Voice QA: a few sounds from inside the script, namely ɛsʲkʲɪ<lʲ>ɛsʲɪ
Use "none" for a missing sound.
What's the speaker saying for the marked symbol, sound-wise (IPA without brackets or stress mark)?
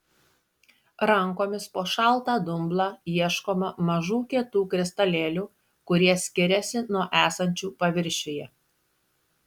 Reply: ɾʲ